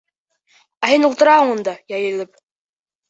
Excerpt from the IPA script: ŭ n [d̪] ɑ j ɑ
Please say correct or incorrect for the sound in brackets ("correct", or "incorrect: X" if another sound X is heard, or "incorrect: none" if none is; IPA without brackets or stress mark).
correct